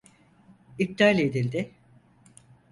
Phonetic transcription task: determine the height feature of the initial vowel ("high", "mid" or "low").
high